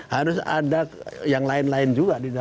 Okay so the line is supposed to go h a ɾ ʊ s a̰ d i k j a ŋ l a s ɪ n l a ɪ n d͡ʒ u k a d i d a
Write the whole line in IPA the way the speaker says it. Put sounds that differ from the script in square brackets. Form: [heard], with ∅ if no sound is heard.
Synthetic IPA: h a ɾ ʊ s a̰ d [a] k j a ŋ l a [∅] ɪ n l a ɪ n d͡ʒ u [ɡ] a d i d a